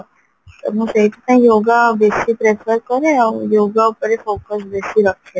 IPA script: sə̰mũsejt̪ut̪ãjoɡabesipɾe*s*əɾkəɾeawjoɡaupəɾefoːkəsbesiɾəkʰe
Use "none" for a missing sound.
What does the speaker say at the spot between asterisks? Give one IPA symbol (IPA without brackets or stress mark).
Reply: f